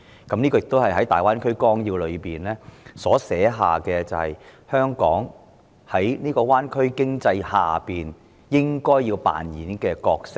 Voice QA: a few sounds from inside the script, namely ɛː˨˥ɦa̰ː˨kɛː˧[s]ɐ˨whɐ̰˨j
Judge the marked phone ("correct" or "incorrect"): incorrect